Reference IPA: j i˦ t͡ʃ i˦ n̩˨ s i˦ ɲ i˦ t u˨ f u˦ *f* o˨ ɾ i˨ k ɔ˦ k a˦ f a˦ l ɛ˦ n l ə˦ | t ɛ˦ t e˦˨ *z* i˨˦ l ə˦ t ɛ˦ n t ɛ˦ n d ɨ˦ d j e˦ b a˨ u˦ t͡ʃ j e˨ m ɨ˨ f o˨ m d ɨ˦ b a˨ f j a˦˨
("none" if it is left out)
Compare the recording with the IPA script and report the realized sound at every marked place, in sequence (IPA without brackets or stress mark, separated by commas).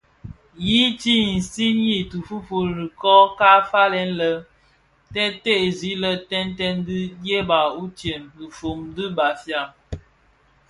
f, z